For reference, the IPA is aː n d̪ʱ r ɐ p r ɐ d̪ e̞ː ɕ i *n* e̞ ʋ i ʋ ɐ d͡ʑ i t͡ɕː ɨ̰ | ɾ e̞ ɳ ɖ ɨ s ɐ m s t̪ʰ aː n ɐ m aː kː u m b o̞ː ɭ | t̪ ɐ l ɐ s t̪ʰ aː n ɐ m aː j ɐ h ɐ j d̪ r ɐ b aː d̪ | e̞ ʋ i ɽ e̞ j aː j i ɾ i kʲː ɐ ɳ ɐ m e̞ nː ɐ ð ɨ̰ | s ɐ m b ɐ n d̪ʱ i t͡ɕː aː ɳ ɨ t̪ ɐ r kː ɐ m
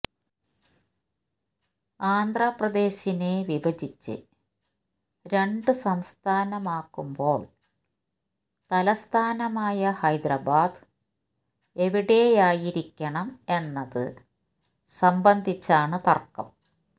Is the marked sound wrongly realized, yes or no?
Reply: no